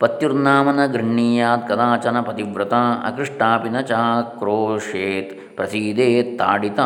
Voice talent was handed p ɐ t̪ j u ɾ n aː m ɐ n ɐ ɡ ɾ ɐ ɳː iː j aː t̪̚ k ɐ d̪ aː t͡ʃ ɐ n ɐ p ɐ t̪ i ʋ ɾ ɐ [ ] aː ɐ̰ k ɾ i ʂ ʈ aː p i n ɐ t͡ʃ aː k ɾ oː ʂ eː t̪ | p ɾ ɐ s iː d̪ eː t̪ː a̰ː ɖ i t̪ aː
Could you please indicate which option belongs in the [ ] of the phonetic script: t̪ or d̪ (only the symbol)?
t̪